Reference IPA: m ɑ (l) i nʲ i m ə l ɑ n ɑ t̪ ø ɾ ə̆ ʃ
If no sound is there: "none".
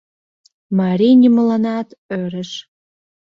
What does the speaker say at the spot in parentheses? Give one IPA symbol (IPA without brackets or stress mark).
ɾ